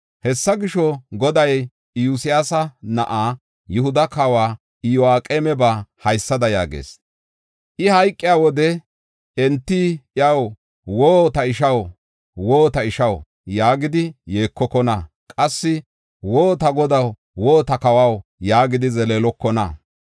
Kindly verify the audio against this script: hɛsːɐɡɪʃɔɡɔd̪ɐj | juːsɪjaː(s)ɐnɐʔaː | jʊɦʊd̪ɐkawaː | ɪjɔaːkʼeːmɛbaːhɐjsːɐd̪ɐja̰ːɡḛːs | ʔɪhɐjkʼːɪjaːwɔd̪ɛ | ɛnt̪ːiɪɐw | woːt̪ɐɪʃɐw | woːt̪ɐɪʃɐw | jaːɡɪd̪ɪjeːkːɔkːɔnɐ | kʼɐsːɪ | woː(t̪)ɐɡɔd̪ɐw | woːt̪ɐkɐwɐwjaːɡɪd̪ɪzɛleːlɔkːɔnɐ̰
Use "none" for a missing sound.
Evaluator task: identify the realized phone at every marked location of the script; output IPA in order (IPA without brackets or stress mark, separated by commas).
s, t̪